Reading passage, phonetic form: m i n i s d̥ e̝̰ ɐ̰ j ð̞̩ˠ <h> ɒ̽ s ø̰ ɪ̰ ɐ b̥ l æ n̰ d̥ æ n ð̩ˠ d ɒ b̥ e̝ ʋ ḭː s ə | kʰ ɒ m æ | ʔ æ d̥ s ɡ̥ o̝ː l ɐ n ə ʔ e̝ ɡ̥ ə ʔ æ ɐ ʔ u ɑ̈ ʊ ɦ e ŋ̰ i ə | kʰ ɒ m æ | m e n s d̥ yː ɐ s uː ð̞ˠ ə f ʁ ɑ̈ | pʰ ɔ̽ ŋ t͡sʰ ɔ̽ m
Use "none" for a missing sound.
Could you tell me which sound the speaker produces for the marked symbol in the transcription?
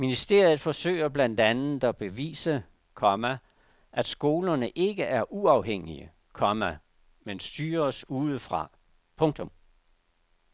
f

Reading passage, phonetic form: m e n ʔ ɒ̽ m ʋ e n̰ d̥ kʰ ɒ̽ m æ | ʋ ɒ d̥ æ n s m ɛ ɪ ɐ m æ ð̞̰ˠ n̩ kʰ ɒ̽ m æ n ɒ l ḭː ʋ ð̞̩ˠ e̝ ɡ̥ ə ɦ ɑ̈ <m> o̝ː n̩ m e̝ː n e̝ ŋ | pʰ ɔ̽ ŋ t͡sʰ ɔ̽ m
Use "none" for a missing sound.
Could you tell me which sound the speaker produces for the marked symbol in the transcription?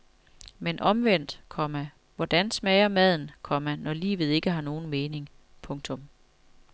n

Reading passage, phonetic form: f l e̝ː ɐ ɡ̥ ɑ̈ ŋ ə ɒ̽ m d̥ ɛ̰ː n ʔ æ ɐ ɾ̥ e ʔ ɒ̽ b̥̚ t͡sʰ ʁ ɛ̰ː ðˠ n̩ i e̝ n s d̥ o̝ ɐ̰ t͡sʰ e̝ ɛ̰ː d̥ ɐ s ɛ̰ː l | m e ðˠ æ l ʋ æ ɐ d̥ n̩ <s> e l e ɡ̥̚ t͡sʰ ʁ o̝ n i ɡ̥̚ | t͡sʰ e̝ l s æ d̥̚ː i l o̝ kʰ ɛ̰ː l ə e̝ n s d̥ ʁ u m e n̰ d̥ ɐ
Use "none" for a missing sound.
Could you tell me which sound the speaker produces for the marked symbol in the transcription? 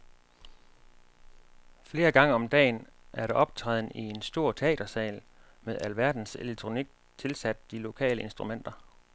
s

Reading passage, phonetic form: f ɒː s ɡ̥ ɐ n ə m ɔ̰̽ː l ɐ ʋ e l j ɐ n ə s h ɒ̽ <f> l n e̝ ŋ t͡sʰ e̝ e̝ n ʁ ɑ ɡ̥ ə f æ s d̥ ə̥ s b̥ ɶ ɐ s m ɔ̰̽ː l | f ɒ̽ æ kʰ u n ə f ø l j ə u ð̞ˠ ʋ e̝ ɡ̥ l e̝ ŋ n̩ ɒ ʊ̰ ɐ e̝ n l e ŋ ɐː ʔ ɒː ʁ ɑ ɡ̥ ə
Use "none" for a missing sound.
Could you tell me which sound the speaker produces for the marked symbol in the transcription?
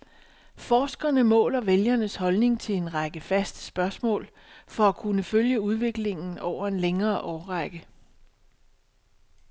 none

